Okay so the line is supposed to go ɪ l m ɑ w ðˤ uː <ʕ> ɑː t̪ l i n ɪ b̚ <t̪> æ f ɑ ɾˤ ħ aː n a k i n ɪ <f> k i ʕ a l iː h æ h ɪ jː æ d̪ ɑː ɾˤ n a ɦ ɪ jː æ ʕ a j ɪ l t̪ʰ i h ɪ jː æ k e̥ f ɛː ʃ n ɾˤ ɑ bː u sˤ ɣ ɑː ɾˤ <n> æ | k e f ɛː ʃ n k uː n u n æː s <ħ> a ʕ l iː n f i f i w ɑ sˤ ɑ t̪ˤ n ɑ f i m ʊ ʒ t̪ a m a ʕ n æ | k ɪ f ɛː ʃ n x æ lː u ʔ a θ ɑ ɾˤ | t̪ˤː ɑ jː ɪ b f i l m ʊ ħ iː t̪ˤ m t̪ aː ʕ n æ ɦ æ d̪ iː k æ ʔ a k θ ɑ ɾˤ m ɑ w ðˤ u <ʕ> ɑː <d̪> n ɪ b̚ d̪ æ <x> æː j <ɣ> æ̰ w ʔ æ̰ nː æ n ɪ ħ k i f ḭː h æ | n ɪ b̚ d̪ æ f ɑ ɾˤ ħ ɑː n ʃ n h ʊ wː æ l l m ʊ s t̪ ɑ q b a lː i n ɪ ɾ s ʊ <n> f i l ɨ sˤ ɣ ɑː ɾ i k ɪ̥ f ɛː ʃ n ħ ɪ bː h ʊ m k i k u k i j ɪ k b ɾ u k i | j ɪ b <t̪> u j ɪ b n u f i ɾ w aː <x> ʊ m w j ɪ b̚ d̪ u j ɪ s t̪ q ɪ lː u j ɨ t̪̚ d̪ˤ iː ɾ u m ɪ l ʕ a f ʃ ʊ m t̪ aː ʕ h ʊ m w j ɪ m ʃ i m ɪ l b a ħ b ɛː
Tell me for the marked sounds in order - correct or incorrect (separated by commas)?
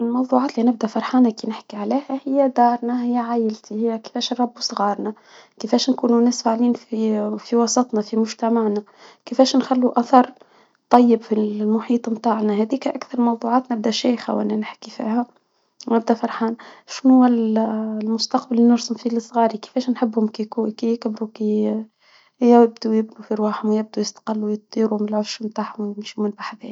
correct, incorrect, incorrect, correct, incorrect, correct, incorrect, incorrect, incorrect, incorrect, incorrect, incorrect